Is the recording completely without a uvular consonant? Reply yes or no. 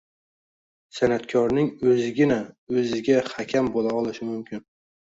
yes